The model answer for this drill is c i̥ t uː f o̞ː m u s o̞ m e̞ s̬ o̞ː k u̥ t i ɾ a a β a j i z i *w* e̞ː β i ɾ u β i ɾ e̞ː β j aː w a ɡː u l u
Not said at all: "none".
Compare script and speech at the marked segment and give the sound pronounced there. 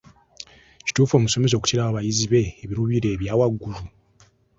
β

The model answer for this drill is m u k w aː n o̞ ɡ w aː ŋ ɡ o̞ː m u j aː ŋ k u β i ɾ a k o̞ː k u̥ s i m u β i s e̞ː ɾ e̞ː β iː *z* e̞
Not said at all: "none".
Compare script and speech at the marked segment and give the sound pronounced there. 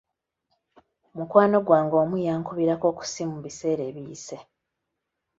s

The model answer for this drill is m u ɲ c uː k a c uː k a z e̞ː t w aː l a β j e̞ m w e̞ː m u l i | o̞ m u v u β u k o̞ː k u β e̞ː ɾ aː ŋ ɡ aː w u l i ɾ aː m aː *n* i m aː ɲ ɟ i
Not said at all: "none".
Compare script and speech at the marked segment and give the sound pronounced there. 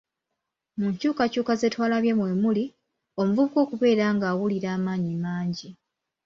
ɲ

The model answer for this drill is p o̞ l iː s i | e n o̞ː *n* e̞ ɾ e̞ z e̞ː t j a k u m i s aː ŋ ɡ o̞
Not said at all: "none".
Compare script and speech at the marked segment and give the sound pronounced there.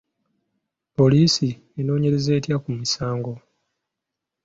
ɲ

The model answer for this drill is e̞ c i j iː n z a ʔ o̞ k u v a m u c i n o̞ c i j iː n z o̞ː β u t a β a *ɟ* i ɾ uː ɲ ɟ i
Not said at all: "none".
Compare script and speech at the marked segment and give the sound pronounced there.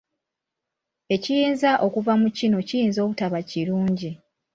c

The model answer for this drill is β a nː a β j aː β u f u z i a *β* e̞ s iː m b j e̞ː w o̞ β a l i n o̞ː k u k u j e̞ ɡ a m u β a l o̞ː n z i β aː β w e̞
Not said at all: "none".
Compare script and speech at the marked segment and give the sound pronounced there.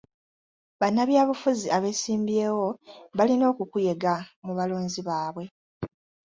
β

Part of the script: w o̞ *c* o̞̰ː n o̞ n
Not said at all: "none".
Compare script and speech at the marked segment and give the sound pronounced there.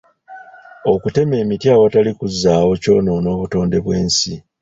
c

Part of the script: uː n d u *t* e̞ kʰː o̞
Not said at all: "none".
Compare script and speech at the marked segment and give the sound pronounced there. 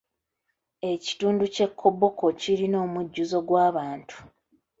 c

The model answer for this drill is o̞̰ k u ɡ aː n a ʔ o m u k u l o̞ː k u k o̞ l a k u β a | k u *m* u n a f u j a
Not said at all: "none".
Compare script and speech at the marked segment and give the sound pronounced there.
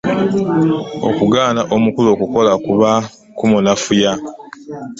m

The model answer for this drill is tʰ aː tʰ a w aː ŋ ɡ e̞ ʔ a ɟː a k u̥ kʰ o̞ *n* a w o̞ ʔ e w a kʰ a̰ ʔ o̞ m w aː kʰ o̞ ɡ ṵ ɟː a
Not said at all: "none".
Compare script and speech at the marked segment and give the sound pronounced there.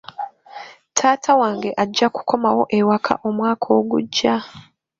m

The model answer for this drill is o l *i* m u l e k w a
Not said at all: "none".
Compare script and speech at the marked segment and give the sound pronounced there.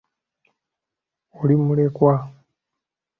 i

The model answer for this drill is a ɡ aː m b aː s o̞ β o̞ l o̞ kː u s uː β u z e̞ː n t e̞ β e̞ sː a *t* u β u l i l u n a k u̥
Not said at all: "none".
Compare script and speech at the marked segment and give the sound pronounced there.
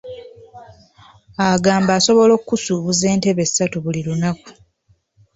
t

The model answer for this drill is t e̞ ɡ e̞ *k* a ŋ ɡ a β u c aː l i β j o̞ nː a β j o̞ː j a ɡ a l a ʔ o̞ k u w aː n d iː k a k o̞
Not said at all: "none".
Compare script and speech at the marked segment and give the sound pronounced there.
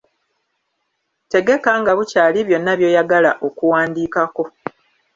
k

